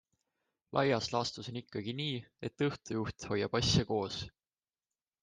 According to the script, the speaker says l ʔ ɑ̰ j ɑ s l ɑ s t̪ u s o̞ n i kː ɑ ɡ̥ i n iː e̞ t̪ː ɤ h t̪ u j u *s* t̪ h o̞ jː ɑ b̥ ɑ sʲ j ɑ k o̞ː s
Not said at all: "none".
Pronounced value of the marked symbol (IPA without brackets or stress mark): h